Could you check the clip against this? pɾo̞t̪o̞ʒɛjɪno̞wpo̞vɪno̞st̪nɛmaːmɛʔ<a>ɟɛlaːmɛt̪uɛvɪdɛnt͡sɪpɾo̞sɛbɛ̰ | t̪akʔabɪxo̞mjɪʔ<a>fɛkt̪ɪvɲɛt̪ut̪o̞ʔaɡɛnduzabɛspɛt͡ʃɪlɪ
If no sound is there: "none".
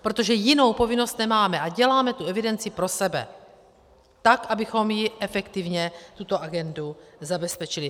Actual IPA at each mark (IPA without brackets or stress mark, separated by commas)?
a, ɛ